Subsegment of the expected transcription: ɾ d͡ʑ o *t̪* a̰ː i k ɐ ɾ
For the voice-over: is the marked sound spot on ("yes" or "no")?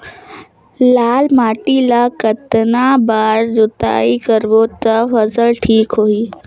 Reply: yes